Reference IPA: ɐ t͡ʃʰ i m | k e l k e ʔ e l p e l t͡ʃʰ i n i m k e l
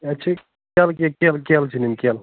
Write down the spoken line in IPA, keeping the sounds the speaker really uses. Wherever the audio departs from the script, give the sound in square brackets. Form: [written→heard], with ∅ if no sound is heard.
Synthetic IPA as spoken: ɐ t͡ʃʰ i [m→∅] | k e l k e [ʔ→k] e l [p→k] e l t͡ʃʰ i n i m k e l